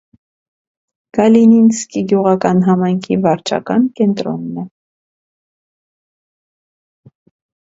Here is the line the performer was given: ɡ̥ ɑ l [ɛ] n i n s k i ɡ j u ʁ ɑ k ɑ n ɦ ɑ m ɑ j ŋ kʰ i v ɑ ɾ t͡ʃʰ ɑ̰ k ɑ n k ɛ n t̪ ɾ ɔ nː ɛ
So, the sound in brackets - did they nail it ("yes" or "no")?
no